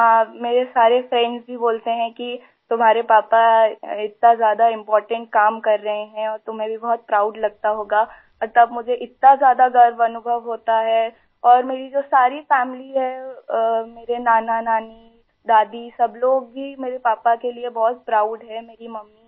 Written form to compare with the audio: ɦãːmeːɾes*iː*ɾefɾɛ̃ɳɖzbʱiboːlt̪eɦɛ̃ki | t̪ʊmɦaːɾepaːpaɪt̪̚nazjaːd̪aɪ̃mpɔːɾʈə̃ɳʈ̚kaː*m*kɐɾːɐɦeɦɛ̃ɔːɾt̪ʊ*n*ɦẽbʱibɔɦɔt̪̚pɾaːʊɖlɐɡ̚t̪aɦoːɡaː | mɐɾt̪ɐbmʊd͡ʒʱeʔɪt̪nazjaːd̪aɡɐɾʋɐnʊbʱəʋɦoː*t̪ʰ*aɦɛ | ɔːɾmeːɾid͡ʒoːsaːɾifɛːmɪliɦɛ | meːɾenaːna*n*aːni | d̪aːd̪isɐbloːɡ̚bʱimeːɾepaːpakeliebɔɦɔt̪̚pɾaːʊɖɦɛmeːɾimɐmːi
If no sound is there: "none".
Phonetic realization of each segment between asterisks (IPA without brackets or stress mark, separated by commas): aː, m, m, t̪, n